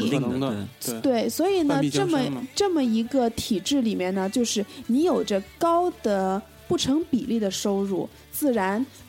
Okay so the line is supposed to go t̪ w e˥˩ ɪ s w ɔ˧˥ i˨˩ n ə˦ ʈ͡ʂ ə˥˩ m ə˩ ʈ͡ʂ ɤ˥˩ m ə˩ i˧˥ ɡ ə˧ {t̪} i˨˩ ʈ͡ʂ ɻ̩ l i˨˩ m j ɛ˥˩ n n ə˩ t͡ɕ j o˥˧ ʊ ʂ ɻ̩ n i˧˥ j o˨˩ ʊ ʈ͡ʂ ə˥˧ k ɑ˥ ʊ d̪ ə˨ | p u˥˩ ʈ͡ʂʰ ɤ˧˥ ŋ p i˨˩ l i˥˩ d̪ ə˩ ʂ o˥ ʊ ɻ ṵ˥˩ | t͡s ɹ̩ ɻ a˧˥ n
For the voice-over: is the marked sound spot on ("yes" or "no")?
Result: no